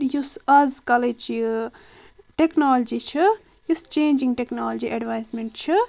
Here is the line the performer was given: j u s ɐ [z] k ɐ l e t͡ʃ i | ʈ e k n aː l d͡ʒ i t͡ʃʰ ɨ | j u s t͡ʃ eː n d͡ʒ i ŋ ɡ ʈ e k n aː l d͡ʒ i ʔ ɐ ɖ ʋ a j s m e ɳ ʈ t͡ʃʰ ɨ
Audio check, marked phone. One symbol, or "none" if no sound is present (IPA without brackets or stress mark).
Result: z